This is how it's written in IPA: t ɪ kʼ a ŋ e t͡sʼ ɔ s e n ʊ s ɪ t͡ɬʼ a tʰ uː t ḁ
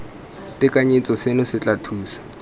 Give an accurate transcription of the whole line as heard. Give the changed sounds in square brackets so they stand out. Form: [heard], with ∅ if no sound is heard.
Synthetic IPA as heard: t ɪ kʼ a [ɲ] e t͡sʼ ɔ s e n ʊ s ɪ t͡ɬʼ a tʰ uː [s] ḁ